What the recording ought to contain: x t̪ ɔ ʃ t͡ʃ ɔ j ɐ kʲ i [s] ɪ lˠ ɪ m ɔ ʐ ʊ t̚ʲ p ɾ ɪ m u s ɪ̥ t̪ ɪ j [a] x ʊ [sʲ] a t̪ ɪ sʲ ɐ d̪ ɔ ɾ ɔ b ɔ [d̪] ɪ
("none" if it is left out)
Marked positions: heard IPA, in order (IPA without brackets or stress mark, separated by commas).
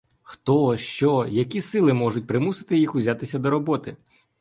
s, i, zʲ, t̪